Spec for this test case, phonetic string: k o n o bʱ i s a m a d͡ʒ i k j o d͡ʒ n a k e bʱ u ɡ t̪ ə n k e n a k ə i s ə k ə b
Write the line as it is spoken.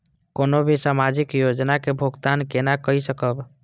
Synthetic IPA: k o n o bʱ i s a m a d͡ʒ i k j o d͡ʒ n a k e bʱ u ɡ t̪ a n k e n a k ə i s ə k ə b